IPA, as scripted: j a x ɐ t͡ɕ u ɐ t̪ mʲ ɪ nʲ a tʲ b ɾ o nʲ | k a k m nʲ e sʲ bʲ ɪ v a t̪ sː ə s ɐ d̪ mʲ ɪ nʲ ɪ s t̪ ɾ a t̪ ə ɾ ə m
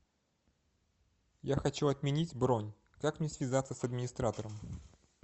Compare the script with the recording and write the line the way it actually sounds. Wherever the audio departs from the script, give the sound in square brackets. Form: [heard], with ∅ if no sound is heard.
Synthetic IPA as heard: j a x ɐ t͡ɕ u ɐ t̪ mʲ ɪ nʲ [i] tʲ b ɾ o nʲ | k a k m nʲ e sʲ [vʲ] ɪ [z] a t̪ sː ə s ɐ d̪ mʲ ɪ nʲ ɪ s t̪ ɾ a t̪ ə ɾ ə m